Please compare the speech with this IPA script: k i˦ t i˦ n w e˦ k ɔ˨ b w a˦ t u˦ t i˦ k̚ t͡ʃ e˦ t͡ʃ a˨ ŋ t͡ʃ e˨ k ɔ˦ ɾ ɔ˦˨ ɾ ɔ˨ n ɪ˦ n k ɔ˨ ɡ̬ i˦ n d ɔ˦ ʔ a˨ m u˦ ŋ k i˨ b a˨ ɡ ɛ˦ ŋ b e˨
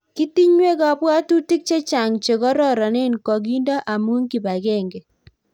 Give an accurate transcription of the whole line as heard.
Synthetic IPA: k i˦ t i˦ ɲ w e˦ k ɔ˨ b w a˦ t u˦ t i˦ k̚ t͡ʃ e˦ t͡ʃ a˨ ŋ t͡ʃ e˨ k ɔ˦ ɾ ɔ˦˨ ɾ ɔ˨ n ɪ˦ n k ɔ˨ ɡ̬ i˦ n d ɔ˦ ʔ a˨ m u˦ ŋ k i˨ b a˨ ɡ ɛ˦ ŋ ɡ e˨